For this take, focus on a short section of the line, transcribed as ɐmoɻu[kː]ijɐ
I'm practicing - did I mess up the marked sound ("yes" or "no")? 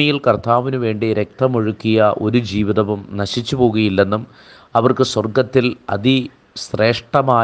no